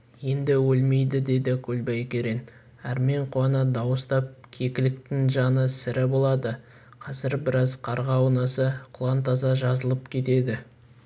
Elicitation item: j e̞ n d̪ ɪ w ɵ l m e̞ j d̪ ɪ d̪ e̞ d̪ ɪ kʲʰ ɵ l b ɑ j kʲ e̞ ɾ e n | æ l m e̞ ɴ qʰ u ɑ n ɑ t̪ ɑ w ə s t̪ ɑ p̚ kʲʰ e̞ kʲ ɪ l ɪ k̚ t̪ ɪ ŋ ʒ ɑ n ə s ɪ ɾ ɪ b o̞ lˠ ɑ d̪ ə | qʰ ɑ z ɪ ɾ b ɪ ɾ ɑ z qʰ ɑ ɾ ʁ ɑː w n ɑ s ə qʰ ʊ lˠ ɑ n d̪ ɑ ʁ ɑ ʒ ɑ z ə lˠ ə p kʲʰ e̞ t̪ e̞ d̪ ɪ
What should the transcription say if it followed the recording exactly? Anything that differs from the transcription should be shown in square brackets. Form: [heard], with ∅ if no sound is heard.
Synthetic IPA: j e̞ n d̪ ɪ w ɵ l m e̞ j d̪ ɪ d̪ e̞ d̪ ɪ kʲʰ ɵ l b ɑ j kʲ e̞ ɾ e n | æ [ɾ] m e̞ ɴ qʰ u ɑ n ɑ [d̪] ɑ w ə s t̪ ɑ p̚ kʲʰ e̞ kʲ ɪ l ɪ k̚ t̪ ɪ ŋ ʒ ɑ n ə s ɪ ɾ ɪ b o̞ lˠ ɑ d̪ ə | qʰ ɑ z ɪ ɾ b ɪ ɾ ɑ z qʰ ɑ ɾ ʁ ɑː w n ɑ s ə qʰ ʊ lˠ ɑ n [t̪] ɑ [z] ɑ ʒ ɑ z ə lˠ ə p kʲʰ e̞ t̪ e̞ d̪ ɪ